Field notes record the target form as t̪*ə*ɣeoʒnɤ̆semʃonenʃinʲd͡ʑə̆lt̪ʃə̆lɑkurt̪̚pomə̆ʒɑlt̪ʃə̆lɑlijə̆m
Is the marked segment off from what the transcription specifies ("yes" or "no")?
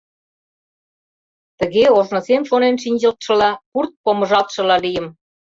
no